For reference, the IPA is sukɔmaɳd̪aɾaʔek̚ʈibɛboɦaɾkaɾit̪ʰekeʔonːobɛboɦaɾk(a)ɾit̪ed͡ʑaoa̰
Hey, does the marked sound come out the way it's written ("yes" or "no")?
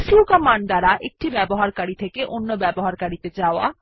yes